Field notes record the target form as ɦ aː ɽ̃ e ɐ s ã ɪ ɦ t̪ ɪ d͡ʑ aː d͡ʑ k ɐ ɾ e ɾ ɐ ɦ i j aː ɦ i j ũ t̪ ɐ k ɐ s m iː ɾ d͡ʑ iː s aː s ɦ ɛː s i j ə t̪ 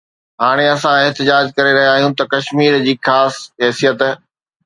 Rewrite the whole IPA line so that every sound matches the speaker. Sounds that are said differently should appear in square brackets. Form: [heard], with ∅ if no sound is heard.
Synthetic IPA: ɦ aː ɽ̃ e ɐ s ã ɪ ɦ t̪ ɪ d͡ʑ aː d͡ʑ k ɐ ɾ e ɾ ɐ ɦ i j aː ɦ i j ũ t̪ ɐ k ɐ [ʃ] m iː ɾ d͡ʑ iː [x] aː s ɦ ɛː s i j ə t̪

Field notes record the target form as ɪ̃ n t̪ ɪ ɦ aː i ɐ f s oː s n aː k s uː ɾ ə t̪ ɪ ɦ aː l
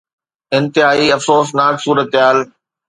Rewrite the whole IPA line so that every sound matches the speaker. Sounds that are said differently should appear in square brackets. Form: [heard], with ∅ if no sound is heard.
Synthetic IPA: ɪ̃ n t̪ ɪ ɦ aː i ɐ f s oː s n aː k s uː ɾ ə t̪ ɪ ɦ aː l

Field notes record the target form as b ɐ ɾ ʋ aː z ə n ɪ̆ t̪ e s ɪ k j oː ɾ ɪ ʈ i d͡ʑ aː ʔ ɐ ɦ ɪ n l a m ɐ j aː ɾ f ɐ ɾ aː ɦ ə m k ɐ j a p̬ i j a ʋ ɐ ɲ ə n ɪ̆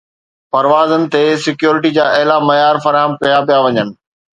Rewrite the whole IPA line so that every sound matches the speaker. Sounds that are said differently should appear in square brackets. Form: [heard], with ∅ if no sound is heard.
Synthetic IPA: [p] ɐ ɾ ʋ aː z ə n ɪ̆ t̪ e s ɪ k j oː ɾ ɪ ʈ i d͡ʑ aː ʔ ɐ ɦ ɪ [∅] l a m ɐ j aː ɾ f ɐ ɾ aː ɦ ə m k ɐ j a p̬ i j a ʋ ɐ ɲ ə n ɪ̆

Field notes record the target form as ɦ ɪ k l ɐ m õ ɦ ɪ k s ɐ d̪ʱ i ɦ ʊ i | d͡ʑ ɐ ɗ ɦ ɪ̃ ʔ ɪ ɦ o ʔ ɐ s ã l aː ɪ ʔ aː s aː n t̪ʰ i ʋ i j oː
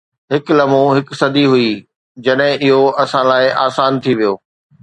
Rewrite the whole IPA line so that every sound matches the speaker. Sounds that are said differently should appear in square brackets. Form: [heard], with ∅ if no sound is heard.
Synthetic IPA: ɦ ɪ k l ɐ m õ ɦ ɪ k s ɐ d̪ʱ i ɦ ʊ i | d͡ʑ ɐ ɗ ɦ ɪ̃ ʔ ɪ ɦ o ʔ ɐ s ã l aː ɪ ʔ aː s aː n t̪ʰ i ʋ i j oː

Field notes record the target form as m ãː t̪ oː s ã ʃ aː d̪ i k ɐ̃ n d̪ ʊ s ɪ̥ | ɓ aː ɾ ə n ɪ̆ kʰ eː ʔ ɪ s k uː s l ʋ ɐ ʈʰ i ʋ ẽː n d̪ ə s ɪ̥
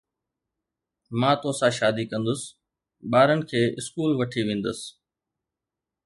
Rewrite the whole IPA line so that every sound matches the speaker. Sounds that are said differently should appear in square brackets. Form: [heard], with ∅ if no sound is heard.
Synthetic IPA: m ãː t̪ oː s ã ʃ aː d̪ i k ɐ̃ n d̪ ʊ s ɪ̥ | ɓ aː ɾ ə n ɪ̆ kʰ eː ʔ ɪ s k uː [∅] l ʋ ɐ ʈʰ i ʋ ẽː n d̪ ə s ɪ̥

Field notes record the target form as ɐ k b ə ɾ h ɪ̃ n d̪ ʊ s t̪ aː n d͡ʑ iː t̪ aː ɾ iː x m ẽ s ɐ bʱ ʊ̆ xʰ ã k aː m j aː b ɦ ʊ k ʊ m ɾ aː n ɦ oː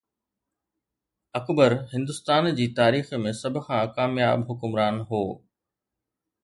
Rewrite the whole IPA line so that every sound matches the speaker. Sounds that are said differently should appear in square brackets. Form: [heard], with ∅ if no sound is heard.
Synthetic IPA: ɐ k b ə ɾ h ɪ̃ n d̪ ʊ s t̪ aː n d͡ʑ iː t̪ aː ɾ iː x m ẽ s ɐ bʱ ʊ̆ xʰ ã k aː m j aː b ɦ ʊ k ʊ m ɾ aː n ɦ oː

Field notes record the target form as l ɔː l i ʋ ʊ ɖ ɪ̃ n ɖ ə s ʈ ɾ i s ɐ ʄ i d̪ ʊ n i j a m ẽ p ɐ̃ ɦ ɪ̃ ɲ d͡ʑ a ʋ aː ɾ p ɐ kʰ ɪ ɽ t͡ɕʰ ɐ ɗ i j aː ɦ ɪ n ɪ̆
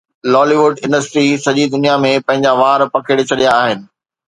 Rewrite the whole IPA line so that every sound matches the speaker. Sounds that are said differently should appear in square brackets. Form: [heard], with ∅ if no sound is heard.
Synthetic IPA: l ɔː l i ʋ ʊ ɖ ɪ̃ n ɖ ə s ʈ ɾ i s ɐ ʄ i d̪ ʊ n i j a m ẽ p ɐ̃ ɦ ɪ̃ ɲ d͡ʑ a ʋ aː ɾ p ɐ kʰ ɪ ɽ t͡ɕʰ ɐ ɗ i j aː ɦ ɪ n ɪ̆

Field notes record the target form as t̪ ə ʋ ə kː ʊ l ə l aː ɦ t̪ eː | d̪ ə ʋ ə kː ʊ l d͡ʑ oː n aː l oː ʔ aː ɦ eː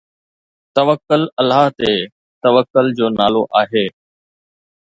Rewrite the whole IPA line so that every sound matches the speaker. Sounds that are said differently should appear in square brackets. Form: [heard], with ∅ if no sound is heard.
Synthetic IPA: t̪ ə ʋ ə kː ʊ l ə l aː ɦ t̪ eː | [t̪] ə ʋ ə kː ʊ l d͡ʑ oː n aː l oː ʔ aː ɦ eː

